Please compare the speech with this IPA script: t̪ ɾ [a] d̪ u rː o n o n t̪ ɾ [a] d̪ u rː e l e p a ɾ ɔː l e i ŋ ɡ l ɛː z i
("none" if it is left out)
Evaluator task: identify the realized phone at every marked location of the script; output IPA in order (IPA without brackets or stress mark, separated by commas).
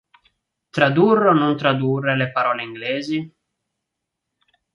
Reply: a, a